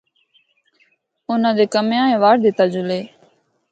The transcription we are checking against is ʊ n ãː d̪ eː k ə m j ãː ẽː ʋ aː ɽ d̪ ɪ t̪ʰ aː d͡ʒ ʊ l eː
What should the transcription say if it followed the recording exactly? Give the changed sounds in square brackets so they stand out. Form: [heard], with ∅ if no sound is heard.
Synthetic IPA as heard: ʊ n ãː d̪ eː k ə m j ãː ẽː ʋ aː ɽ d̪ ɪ [t̪] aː d͡ʒ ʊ l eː